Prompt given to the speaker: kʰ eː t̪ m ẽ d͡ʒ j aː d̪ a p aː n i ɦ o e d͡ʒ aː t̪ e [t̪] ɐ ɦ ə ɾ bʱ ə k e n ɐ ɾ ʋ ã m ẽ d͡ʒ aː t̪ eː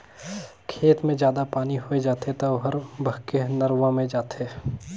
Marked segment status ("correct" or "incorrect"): correct